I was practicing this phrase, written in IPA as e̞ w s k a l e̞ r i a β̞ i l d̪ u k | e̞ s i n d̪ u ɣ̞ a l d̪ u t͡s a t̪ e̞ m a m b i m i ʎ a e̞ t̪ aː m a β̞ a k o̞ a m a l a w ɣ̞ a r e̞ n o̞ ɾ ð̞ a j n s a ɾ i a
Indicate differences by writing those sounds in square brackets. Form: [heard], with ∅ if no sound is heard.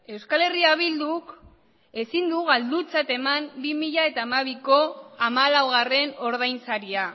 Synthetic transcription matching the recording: e̞ w s k a l e̞ r i a β̞ i l d̪ u k | e̞ s i n d̪ u ɣ̞ a l d̪ u t͡s a t̪ e̞ m a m b i m i ʎ a e̞ t̪ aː m a β̞ [i] k o̞ a m a l a w ɣ̞ a r e̞ n o̞ ɾ ð̞ a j n s a ɾ i a